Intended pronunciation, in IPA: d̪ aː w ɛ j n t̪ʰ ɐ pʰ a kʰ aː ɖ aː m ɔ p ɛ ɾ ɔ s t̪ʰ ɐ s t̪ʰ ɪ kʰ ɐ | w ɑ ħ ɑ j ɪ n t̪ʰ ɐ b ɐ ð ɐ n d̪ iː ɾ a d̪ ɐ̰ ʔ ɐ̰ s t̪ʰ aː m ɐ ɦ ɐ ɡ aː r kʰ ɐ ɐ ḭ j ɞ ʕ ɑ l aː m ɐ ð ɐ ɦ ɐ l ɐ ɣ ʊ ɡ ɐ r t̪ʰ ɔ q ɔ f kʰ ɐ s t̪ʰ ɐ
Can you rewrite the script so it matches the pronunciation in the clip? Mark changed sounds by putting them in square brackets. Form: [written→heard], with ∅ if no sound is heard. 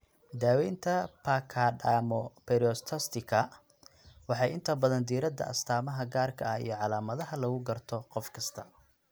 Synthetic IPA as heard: d̪ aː w ɛ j n t̪ʰ ɐ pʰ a kʰ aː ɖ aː m ɔ p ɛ ɾ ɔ s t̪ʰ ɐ s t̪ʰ ɪ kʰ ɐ | w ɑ ħ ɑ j ɪ n t̪ʰ ɐ b ɐ ð ɐ n d̪ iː ɾ [a→ɐ] d̪ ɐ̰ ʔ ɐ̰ s t̪ʰ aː m ɐ ɦ ɐ ɡ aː r kʰ ɐ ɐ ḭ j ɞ ʕ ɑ l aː m ɐ ð ɐ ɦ ɐ l ɐ ɣ ʊ ɡ ɐ r t̪ʰ ɔ q ɔ f kʰ ɐ s t̪ʰ ɐ